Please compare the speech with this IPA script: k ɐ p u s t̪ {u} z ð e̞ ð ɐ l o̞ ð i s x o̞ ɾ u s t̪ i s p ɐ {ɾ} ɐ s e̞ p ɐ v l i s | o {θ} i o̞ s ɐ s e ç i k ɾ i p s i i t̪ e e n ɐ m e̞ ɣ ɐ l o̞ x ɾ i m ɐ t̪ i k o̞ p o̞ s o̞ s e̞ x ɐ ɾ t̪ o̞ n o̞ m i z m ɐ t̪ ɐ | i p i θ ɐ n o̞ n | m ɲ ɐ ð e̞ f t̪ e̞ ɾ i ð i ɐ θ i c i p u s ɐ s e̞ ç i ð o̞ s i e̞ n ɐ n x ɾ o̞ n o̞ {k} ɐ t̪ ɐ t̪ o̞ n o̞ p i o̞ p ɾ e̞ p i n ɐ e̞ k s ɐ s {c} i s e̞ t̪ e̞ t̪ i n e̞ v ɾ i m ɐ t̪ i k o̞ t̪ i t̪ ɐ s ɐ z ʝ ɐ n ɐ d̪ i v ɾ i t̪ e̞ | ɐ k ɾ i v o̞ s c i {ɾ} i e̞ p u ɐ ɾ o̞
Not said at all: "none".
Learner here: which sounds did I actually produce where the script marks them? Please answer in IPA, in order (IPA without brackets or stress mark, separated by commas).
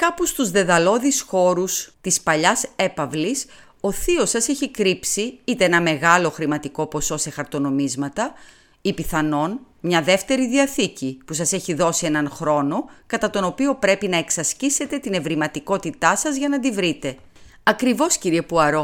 u, ʎ, θ, k, c, ɾ